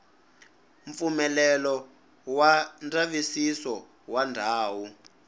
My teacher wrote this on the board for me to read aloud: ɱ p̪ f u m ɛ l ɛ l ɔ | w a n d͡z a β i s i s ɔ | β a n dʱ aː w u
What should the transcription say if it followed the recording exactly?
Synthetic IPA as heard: ɱ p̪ f u m ɛ l ɛ l ɔ | w a n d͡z a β i s i s ɔ | w a n dʱ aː w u